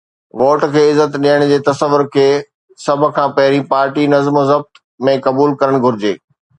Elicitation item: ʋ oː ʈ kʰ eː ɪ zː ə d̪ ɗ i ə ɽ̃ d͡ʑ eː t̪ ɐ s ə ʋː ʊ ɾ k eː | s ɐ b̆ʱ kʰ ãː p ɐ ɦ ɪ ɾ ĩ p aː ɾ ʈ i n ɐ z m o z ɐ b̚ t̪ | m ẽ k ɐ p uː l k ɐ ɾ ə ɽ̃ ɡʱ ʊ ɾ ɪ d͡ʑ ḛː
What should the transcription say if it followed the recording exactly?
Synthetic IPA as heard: ʋ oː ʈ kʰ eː ɪ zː ə t̪ ɗ i ə ɽ̃ d͡ʑ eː t̪ ɐ s ə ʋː ʊ ɾ kʰ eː | s ɐ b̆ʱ kʰ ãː p ɐ ɦ ɪ ɾ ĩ p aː ɾ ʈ i n ɐ z m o z ɐ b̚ t̪ | m ẽ k ɐ b uː l k ɐ ɾ ə ɽ̃ ɡʱ ʊ ɾ ɪ d͡ʑ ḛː